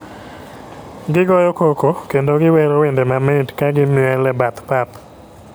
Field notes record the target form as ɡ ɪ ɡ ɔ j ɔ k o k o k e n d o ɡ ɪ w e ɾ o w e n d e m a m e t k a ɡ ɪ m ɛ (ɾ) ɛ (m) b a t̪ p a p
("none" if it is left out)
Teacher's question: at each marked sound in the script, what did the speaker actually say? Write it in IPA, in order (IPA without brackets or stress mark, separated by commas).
l, none